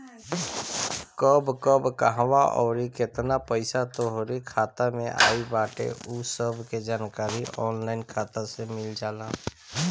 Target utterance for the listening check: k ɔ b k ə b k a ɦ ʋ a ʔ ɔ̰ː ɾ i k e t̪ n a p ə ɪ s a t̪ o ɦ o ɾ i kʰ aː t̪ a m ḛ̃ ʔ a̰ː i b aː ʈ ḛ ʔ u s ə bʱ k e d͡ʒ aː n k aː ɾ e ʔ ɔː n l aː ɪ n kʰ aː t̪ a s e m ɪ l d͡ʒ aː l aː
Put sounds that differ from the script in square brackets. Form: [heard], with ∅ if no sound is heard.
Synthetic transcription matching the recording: k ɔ b k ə b k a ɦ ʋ a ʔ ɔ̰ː ɾ i k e t̪ n a p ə ɪ s a t̪ o ɦ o ɾ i kʰ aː t̪ a m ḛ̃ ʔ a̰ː i b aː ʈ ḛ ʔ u s ə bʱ k e d͡ʒ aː n k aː ɾ [i] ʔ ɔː n l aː ɪ n kʰ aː t̪ a s e m ɪ l d͡ʒ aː l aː

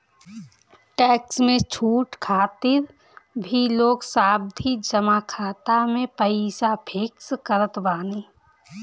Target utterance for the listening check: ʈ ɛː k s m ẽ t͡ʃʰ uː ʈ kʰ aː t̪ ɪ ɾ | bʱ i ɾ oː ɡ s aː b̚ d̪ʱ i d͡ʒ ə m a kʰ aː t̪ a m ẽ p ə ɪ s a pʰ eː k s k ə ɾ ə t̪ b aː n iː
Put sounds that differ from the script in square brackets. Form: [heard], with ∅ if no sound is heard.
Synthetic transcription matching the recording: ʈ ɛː k s m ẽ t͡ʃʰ uː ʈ kʰ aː t̪ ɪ ɾ | bʱ i [l] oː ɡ s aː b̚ d̪ʱ i d͡ʒ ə m a kʰ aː t̪ a m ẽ p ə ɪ s a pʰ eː k s k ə ɾ ə t̪ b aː n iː

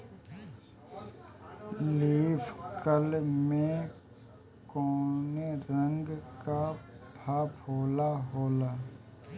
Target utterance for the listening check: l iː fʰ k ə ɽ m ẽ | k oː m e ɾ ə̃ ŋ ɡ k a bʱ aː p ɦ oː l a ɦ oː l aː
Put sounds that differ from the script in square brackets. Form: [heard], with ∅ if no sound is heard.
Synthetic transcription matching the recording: l iː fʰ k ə [l] m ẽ | k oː [n] e ɾ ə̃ ŋ ɡ k a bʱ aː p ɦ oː l a ɦ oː l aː

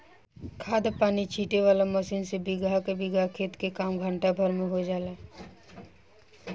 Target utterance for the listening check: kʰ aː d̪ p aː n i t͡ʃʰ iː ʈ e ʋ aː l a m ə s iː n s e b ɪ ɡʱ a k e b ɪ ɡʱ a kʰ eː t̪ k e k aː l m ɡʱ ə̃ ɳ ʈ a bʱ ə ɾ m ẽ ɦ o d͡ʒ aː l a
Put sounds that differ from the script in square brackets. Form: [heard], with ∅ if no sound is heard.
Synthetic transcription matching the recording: kʰ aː d̪ p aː n i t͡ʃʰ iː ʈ e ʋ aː l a m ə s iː n s e b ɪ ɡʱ a k e b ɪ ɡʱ a kʰ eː t̪ k e k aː [∅] m ɡʱ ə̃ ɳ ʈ a bʱ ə ɾ m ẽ ɦ o d͡ʒ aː l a

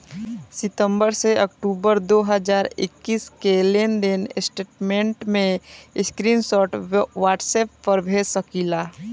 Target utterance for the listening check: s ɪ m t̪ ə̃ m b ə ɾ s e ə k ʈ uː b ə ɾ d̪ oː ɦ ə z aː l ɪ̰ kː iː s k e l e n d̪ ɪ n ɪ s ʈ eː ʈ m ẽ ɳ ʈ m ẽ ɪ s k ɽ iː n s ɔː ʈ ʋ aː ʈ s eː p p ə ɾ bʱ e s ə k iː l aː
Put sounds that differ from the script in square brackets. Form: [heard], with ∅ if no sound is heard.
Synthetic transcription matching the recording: s ɪ [∅] t̪ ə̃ m b ə ɾ s e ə k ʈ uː b ə ɾ d̪ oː ɦ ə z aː [ɾ] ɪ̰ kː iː s k e l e n d̪ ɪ n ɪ s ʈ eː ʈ m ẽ ɳ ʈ m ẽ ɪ s k [ɾ] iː n s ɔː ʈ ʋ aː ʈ s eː p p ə ɾ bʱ e s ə k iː l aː

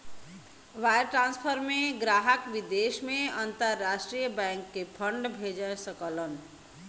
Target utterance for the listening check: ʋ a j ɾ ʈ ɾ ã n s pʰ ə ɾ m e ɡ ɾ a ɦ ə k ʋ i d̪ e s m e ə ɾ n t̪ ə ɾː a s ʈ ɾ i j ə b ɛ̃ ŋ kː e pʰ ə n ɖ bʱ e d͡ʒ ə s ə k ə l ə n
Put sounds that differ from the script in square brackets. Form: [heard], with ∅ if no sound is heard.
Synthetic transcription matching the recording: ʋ a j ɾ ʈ ɾ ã n s pʰ ə ɾ m e ɡ ɾ a ɦ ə k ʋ i d̪ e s m e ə [∅] n t̪ ə ɾː a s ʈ ɾ i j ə b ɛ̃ ŋ kː e pʰ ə [ɳ] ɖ bʱ e d͡ʒ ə s ə k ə l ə n

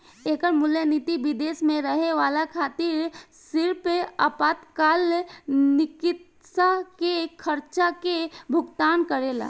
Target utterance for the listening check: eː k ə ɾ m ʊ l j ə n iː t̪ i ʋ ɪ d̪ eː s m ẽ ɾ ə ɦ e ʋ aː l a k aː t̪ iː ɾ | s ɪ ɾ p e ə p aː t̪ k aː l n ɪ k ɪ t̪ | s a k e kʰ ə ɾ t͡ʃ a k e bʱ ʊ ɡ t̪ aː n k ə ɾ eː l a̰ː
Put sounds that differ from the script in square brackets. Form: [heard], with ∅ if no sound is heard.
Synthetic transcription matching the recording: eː k ə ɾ m ʊ l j ə n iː t̪ i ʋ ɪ d̪ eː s m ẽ ɾ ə ɦ e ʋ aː l a [kʰ] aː t̪ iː ɾ | s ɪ ɾ p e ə p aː t̪ k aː l n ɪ k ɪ t̪ | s a k e kʰ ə ɾ t͡ʃ a k e bʱ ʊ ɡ t̪ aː n k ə ɾ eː l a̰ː

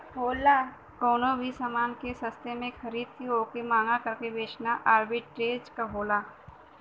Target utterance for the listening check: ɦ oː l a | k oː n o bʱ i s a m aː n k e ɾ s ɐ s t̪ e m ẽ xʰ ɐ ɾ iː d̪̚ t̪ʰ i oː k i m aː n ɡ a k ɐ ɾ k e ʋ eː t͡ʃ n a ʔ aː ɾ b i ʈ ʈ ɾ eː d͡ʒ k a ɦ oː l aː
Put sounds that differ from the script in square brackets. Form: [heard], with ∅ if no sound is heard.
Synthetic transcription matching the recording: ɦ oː l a | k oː n o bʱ i s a m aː n k e [∅] s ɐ s t̪ e m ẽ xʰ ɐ ɾ iː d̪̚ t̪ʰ i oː k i m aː [ŋ] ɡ a k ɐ ɾ k e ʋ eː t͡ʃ n a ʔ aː ɾ b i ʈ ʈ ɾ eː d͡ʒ k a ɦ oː l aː

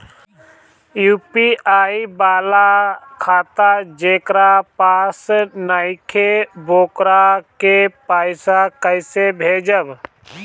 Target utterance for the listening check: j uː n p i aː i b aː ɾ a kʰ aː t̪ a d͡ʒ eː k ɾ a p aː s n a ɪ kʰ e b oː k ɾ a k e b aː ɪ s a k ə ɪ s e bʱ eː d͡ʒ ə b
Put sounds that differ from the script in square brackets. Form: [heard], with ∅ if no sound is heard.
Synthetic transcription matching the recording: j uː [∅] p i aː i b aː [l] a kʰ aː t̪ a d͡ʒ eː k ɾ a p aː s n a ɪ kʰ e b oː k ɾ a k e [p] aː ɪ s a k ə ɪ s e bʱ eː d͡ʒ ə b

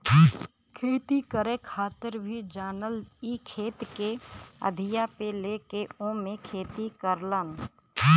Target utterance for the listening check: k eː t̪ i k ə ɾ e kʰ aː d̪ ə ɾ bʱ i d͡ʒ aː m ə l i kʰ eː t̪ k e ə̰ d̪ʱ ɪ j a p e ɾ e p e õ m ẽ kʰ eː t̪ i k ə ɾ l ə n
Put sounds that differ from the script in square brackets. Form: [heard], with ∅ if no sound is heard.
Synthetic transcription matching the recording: [kʰ] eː t̪ i k ə ɾ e kʰ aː [t̪] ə ɾ bʱ i d͡ʒ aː [n] ə l i kʰ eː t̪ k e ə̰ d̪ʱ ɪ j a p e [l] e [k] e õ m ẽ kʰ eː t̪ i k ə ɾ l ə n

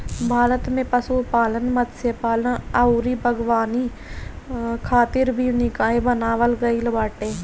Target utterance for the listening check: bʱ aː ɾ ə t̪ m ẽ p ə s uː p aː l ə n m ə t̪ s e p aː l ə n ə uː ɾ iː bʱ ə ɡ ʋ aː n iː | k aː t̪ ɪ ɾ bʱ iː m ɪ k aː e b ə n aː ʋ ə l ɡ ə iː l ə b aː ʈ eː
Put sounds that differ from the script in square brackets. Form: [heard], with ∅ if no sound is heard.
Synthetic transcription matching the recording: bʱ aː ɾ ə t̪ m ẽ p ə s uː p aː l ə n m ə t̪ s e p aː l ə n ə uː ɾ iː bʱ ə ɡ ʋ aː n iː | [kʰ] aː t̪ ɪ ɾ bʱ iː [n] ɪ k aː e b ə n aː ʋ ə l ɡ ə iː l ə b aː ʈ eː

